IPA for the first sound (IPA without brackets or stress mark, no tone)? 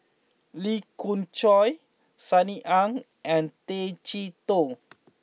l